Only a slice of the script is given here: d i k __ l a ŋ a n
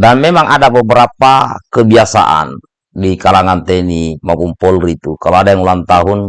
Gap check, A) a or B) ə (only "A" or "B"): A